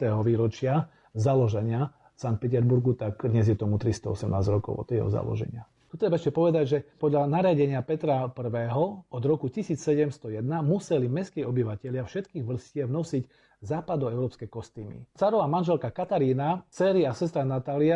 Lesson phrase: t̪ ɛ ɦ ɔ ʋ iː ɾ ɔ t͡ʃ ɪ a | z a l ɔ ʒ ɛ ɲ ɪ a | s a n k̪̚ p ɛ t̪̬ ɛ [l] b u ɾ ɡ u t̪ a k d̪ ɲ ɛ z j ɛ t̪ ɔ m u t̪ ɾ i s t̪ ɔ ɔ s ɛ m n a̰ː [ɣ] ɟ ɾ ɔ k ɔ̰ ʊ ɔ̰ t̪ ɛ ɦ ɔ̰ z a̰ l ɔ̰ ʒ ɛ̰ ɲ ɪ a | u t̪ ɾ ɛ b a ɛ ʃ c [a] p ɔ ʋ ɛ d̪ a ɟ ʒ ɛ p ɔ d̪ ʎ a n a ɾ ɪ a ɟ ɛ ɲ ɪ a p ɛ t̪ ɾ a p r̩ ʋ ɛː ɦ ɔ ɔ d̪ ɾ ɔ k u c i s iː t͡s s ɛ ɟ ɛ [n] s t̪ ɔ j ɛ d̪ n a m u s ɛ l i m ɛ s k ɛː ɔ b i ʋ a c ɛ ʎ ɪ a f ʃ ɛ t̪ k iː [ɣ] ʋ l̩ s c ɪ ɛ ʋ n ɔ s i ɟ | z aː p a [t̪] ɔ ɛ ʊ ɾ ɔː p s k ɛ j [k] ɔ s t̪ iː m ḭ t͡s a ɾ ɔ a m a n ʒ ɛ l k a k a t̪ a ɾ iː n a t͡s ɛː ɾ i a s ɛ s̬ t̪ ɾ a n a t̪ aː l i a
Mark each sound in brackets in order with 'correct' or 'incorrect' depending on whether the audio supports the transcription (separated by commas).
incorrect, incorrect, incorrect, incorrect, correct, incorrect, correct